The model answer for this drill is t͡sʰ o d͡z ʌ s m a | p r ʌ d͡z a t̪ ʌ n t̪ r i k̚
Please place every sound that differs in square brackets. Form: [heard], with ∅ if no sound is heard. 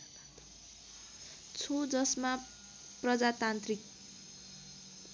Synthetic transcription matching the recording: t͡sʰ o d͡z ʌ s m a | p r ʌ d͡z a t̪ [a] n t̪ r i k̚